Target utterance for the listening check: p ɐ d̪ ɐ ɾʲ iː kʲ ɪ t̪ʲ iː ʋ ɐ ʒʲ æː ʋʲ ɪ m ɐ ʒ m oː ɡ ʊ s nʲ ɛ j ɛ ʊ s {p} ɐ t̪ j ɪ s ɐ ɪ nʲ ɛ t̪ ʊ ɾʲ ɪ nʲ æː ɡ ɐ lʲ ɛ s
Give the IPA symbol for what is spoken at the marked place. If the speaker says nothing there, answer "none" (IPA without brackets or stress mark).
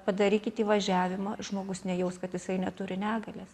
k